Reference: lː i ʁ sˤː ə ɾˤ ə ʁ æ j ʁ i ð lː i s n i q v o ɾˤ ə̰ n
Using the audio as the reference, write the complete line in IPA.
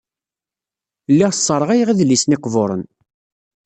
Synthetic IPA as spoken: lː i ʁ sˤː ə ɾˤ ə ʁ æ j ʁ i ð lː i s n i q v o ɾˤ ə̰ n